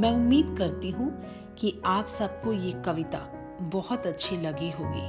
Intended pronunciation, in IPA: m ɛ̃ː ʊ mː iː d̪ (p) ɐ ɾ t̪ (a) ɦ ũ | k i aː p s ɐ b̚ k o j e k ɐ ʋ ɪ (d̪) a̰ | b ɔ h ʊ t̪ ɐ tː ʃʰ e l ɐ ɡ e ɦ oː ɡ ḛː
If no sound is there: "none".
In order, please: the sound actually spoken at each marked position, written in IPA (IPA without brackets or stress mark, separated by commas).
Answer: k, i, t̪